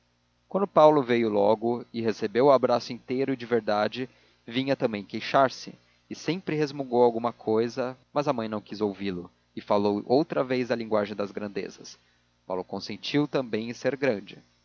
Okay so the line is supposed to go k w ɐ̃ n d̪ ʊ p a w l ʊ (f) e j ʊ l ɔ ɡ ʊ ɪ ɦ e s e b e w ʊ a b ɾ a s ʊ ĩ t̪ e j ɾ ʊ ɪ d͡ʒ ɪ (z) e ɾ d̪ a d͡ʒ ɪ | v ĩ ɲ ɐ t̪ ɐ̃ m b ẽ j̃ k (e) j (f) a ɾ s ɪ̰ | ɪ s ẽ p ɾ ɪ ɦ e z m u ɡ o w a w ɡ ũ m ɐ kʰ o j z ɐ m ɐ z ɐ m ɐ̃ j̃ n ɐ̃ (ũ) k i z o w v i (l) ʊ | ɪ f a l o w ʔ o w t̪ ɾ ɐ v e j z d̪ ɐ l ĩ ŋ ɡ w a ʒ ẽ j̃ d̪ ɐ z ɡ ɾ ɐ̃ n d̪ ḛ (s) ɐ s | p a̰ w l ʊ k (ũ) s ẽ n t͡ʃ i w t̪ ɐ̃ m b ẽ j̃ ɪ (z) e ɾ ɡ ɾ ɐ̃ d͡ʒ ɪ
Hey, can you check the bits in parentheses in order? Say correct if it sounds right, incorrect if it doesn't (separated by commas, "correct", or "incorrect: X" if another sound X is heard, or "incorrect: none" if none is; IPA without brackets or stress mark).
incorrect: v, incorrect: v, correct, incorrect: ʃ, incorrect: w̃, correct, incorrect: z, incorrect: õ, incorrect: s